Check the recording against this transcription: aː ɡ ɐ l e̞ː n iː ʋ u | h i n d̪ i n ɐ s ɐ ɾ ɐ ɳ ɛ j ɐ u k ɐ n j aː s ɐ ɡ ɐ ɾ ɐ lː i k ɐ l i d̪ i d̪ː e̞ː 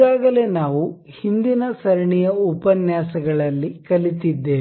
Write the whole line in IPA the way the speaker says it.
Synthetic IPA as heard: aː ɡ ɐ l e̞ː n aː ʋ u | h i n d̪ i n ɐ s ɐ ɾ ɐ ɳ i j ɐ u p ɐ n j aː s ɐ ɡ ɐ ɭ ɐ lː i k ɐ l i t̪ i d̪ː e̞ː

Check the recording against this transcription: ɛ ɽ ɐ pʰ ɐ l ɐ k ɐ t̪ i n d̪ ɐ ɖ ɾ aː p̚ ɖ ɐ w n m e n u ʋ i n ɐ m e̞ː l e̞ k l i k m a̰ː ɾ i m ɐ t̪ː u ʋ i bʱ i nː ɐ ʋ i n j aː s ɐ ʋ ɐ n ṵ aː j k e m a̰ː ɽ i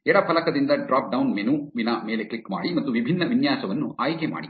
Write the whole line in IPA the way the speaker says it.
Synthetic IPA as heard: ɛ ɽ ɐ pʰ ɐ l ɐ k ɐ d̪ i n d̪ ɐ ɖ ɾ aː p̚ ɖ ɐ w n m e n u ʋ i n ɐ m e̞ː l e̞ k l i k m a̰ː ɽ i m ɐ t̪ː u ʋ i bʱ i nː ɐ ʋ i n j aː s ɐ ʋ ɐ nː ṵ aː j k e m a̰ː ɽ i

